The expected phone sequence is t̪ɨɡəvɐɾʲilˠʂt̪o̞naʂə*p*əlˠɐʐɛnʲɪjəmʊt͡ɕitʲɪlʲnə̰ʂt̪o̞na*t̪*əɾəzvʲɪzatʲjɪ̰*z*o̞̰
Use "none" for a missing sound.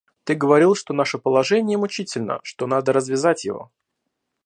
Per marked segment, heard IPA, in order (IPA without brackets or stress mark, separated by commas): p, d̪, v